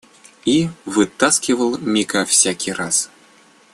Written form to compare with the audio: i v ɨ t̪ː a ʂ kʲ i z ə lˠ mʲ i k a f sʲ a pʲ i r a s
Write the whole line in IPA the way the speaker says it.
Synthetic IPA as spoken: i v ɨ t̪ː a s kʲ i v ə lˠ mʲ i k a f sʲ a kʲ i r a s